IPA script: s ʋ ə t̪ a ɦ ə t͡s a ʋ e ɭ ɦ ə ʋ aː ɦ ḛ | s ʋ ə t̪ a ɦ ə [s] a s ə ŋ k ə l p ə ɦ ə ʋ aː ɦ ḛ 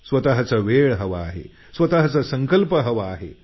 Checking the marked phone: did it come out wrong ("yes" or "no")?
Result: yes